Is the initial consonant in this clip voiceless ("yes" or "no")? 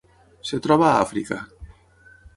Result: yes